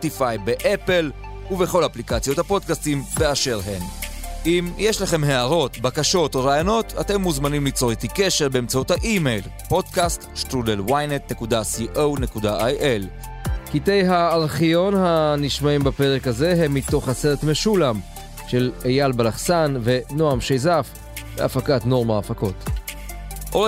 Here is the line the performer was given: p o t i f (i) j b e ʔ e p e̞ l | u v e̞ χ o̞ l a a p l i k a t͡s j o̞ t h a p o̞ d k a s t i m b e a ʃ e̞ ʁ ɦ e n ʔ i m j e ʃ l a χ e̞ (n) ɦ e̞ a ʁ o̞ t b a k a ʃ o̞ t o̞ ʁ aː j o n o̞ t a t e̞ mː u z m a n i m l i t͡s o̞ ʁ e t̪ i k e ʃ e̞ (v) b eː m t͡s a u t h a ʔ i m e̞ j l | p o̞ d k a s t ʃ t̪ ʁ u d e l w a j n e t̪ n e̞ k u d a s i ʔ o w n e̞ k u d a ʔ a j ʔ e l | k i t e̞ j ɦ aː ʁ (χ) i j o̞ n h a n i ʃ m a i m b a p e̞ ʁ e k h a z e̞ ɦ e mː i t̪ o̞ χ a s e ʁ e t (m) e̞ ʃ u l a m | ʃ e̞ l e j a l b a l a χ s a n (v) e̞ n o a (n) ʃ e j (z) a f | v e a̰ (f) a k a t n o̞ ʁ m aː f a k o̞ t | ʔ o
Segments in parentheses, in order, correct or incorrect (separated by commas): incorrect, incorrect, incorrect, correct, correct, correct, incorrect, correct, correct